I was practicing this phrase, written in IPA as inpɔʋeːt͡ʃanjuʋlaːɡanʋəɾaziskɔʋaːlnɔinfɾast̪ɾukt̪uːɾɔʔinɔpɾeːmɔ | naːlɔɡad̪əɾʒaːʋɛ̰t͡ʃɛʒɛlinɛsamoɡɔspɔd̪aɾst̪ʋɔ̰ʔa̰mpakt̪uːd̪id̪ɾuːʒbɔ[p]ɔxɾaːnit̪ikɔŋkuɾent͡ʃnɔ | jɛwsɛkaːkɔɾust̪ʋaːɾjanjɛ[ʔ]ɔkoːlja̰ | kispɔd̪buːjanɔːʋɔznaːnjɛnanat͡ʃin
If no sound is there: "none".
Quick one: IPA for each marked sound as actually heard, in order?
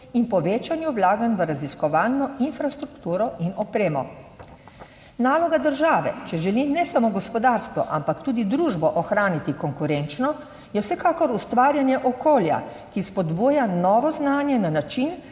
ʔ, ʔ

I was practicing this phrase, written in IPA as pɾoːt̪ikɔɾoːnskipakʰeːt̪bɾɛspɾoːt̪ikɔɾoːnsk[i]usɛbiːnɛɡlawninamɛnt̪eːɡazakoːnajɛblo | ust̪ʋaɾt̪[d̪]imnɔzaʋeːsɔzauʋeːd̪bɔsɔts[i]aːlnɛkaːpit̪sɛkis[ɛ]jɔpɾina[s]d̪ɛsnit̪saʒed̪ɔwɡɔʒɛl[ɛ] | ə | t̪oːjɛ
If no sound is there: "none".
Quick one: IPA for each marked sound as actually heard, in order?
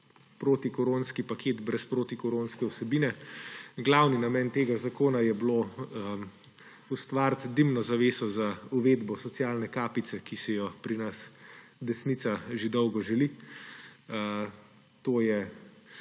ɛ, d̪, j, ɛ, s, i

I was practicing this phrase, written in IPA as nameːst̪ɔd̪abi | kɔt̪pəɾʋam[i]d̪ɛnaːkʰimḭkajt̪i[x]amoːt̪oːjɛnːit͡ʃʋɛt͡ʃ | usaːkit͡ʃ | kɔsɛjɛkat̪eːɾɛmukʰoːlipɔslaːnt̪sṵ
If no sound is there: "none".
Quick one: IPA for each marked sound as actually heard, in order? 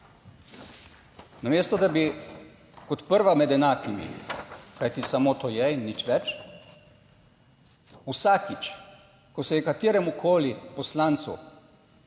ɛ, s

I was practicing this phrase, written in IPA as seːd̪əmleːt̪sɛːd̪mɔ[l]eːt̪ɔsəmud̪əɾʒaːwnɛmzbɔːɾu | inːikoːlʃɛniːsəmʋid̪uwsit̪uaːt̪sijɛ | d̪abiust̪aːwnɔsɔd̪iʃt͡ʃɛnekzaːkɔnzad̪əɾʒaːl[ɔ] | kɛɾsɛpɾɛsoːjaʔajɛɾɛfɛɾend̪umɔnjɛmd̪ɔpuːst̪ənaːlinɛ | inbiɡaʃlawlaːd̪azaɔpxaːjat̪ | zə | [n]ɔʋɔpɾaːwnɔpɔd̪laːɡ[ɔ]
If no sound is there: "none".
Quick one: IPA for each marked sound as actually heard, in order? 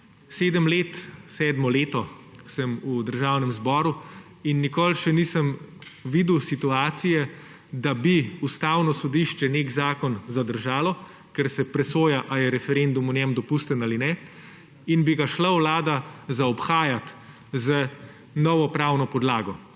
l, ɔ, n, ɔ

